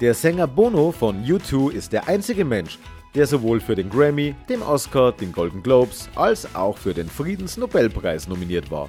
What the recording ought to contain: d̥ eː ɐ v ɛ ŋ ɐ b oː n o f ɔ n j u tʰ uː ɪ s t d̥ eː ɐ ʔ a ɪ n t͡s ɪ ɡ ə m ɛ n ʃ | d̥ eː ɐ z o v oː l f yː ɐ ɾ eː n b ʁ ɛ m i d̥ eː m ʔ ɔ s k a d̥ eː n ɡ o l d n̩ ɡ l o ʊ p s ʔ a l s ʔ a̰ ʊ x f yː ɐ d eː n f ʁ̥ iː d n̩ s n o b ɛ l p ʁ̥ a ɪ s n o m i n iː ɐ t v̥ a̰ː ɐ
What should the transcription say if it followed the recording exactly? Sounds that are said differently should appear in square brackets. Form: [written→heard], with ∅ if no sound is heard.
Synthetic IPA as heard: d̥ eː ɐ [v→z] ɛ ŋ ɐ b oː n o f ɔ n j u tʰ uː ɪ s t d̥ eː ɐ ʔ a ɪ n t͡s ɪ ɡ ə m ɛ n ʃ | d̥ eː ɐ z o v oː l f yː ɐ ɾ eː n [b→ɡ] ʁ ɛ m i d̥ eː m ʔ ɔ s k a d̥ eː n ɡ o l d n̩ ɡ l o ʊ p s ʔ a l s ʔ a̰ ʊ x f yː ɐ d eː n f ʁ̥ iː d n̩ s n o b ɛ l p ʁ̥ a ɪ s n o m i n iː ɐ t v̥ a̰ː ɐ